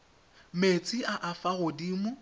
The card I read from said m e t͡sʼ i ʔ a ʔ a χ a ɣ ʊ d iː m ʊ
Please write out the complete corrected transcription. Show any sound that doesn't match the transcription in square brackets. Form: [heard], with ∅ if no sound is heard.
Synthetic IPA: m e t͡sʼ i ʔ a ʔ a [f] a ɣ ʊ d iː m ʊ